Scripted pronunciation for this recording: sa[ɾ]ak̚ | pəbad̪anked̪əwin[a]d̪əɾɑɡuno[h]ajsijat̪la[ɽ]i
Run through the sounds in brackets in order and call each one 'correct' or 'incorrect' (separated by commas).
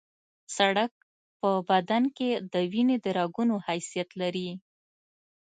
incorrect, incorrect, correct, incorrect